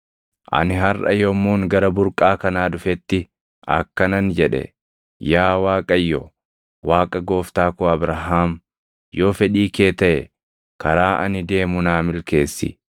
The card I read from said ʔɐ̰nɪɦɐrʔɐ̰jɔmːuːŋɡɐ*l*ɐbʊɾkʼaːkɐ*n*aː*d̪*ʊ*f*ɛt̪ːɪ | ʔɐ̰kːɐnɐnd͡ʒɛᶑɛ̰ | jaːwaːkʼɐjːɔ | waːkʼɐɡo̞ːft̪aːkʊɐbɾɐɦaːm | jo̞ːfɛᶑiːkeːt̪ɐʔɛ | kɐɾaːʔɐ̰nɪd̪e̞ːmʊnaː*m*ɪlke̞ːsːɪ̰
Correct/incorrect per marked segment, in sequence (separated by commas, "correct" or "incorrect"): incorrect, correct, correct, correct, correct